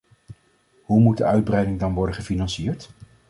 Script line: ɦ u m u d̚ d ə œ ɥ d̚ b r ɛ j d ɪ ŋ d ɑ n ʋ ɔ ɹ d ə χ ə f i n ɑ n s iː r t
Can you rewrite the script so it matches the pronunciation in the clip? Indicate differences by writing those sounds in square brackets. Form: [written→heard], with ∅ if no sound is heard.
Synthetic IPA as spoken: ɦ u m u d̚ d ə œ ɥ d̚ b r ɛ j d ɪ ŋ d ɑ n ʋ ɔ ɹ d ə χ ə f i n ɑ n s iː [r→ɹ] t